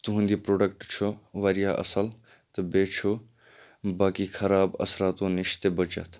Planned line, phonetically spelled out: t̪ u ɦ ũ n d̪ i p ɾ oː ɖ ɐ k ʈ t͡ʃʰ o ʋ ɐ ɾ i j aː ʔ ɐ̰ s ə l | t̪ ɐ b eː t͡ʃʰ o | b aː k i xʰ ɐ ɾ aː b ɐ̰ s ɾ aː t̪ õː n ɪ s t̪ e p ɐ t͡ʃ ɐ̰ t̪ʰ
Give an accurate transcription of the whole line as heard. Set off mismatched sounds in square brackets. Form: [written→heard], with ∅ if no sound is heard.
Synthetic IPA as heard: t̪ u ɦ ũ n d̪ i p ɾ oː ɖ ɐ k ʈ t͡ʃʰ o ʋ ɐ ɾ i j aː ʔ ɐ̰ s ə l | t̪ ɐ b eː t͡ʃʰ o | b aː k i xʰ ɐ ɾ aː b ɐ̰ s ɾ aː t̪ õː n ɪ [s→ʃ] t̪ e [p→b] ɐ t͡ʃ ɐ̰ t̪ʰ